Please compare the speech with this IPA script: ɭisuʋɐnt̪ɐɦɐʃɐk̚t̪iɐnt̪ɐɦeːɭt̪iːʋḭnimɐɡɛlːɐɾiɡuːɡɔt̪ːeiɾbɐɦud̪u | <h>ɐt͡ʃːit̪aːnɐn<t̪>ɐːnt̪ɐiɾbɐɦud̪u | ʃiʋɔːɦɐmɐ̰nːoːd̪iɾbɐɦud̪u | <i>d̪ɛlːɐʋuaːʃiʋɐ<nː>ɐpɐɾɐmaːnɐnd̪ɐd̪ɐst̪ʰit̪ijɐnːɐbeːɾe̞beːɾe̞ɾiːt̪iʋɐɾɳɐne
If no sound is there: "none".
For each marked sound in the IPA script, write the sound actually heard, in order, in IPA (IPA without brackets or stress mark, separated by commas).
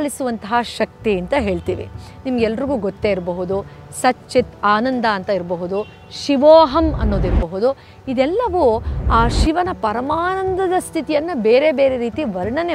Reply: s, d̪, i, n